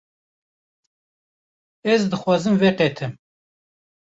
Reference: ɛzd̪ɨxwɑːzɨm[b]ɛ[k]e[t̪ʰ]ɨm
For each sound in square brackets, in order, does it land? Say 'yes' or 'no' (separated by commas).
no, no, yes